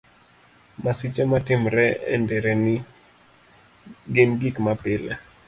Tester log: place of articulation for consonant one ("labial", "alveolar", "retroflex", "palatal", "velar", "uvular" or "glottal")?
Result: labial